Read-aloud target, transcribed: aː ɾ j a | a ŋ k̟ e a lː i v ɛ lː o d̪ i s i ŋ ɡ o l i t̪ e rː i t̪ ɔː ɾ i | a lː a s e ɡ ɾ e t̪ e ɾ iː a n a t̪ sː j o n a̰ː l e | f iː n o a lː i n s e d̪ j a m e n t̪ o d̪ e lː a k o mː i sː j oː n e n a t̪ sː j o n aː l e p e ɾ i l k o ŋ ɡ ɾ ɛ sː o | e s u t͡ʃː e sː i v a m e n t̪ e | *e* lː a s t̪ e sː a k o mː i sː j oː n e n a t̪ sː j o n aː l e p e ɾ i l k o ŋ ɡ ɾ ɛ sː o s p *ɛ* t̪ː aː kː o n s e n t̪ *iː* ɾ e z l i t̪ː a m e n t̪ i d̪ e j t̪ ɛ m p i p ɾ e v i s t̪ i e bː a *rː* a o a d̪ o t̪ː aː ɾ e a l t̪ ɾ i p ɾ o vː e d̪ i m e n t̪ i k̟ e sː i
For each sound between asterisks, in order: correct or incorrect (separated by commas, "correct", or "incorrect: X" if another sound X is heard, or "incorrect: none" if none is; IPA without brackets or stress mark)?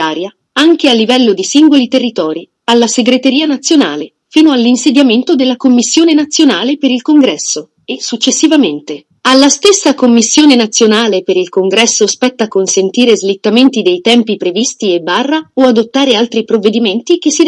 incorrect: a, correct, correct, correct